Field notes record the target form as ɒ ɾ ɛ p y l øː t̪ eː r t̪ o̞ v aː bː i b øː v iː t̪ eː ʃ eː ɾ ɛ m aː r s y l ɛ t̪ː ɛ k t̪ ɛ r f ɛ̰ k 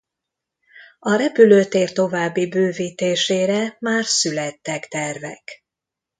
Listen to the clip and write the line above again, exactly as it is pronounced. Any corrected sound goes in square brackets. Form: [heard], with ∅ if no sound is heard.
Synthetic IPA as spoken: ɒ ɾ ɛ p y l øː t̪ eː r t̪ o̞ v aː bː i b øː v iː t̪ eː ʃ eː ɾ ɛ m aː r s y l ɛ t̪ː ɛ k t̪ ɛ r [v] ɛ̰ k

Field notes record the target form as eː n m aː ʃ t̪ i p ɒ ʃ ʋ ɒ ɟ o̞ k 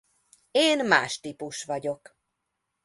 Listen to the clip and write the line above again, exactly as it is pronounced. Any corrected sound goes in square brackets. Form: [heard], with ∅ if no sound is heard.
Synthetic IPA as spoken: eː n m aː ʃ t̪ i p [u] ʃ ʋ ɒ ɟ o̞ k

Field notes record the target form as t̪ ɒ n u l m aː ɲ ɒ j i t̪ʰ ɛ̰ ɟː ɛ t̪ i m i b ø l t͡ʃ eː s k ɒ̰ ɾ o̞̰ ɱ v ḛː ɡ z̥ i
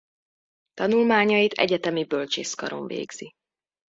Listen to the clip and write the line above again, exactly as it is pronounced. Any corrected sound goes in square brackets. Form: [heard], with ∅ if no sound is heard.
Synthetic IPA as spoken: t̪ ɒ n u l m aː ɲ ɒ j i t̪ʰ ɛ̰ [ɟ] ɛ t̪ [ɛ] m i b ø l t͡ʃ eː s k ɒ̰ ɾ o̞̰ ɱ v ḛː ɡ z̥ i

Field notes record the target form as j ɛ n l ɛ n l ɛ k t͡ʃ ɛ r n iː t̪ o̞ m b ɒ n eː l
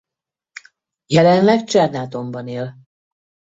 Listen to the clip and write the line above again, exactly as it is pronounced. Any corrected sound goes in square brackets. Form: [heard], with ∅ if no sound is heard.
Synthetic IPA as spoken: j ɛ [∅] l ɛ n l ɛ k t͡ʃ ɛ r n [aː] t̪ o̞ m b ɒ n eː l

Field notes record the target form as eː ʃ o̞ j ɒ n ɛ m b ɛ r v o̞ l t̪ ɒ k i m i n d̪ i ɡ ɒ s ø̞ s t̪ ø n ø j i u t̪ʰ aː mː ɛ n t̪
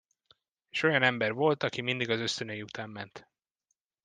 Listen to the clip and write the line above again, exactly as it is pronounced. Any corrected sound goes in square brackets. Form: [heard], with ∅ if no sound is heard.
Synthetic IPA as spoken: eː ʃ o̞ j ɒ n ɛ m b ɛ r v o̞ l t̪ ɒ k i m i n d̪ i ɡ ɒ [z] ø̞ s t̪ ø n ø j i u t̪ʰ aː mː ɛ n t̪

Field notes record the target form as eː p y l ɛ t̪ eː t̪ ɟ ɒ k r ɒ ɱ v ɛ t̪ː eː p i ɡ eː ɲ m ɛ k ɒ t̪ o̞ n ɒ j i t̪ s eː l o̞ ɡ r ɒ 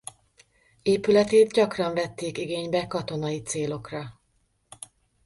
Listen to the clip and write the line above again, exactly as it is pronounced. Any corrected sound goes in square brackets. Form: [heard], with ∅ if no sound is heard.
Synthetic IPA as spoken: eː p y l ɛ t̪ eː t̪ ɟ ɒ k r ɒ ɱ v ɛ t̪ː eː [k] i ɡ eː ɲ [b] ɛ k ɒ t̪ o̞ n ɒ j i t̪ s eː l o̞ [k] r ɒ

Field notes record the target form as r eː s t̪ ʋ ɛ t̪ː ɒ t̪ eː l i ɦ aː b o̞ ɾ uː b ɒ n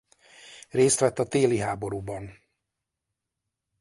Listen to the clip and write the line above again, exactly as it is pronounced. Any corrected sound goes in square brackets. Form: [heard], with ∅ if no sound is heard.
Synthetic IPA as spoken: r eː s t̪ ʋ ɛ t̪ː ɒ t̪ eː l i ɦ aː b o̞ ɾ uː b ɒ n

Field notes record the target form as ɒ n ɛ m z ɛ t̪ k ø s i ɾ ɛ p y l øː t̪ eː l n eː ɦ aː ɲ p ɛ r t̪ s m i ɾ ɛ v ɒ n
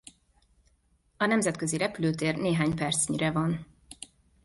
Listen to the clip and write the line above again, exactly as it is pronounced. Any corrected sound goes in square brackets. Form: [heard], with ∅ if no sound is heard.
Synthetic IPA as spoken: ɒ n ɛ m z ɛ t̪ k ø [z] i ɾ ɛ p y l øː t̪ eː [r] n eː ɦ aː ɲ p ɛ r t̪ s [ɲ] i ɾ ɛ v ɒ n

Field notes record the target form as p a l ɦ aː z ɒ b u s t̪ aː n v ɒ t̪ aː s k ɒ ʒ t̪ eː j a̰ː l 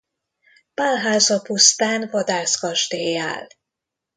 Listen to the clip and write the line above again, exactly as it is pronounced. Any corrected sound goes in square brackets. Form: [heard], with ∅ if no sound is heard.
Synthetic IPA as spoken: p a l ɦ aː z ɒ [p] u s t̪ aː n v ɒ [d̪] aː s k ɒ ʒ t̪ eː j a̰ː l

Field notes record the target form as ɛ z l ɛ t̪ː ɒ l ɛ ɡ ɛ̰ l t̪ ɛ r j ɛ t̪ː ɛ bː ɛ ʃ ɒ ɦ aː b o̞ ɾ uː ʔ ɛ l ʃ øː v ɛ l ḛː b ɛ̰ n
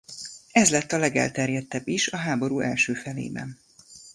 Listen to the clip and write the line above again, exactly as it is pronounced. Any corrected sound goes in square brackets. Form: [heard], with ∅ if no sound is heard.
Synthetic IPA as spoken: ɛ z l ɛ t̪ː ɒ l ɛ ɡ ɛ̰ l t̪ ɛ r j ɛ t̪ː ɛ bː [i] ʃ ɒ ɦ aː b o̞ ɾ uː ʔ ɛ l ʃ øː [f] ɛ l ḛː b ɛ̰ n

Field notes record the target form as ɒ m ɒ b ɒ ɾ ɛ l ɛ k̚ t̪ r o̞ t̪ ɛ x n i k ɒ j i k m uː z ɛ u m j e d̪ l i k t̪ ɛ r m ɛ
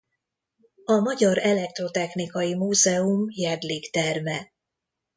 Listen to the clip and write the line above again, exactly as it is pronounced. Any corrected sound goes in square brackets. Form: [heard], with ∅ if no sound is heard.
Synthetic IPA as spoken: ɒ m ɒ [ɟ] ɒ ɾ ɛ l ɛ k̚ t̪ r o̞ t̪ ɛ x n i k ɒ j i [∅] m uː z ɛ u m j [ɛ] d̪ l i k t̪ ɛ r m ɛ

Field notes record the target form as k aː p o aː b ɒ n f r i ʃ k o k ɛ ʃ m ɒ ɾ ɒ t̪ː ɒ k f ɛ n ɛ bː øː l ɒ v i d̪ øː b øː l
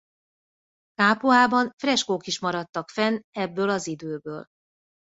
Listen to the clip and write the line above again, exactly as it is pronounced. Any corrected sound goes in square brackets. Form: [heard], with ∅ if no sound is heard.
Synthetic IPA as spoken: k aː p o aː b ɒ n f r [ɛ] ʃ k o k [i] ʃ m ɒ ɾ ɒ t̪ː ɒ k f ɛ n ɛ bː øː l ɒ [z] i d̪ øː b øː l

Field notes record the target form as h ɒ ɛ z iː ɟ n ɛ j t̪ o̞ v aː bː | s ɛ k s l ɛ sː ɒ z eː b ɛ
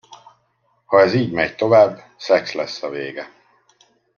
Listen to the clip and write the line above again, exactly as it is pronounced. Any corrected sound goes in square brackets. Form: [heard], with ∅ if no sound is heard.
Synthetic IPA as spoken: h ɒ ɛ z iː ɟ [m] ɛ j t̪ o̞ v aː bː | s ɛ k s l ɛ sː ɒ [v] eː [ɡ] ɛ

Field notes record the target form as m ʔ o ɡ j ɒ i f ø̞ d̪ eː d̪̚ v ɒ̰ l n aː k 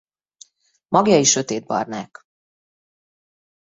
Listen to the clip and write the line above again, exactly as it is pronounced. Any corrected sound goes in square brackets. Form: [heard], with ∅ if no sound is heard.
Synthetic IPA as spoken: m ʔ [ɒ] ɡ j ɒ i [ʃ] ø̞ [t̪] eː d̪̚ [b] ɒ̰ [r] n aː k

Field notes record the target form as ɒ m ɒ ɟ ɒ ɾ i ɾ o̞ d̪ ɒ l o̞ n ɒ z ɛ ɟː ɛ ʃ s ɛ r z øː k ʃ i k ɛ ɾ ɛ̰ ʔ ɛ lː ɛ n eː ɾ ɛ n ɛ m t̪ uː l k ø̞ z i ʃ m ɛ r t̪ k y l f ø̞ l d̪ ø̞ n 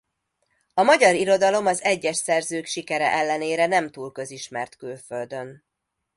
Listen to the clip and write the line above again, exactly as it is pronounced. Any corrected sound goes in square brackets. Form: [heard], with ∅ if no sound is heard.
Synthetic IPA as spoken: ɒ m ɒ ɟ ɒ ɾ i ɾ o̞ d̪ ɒ l o̞ [m] ɒ z ɛ ɟː ɛ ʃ s ɛ r z øː k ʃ i k ɛ ɾ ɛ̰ ʔ ɛ lː ɛ n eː ɾ ɛ n ɛ m t̪ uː l k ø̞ z i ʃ m ɛ r t̪ k y l f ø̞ l d̪ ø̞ n

